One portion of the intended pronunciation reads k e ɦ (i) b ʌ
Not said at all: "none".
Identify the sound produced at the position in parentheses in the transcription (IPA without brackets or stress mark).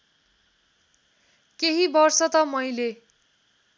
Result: i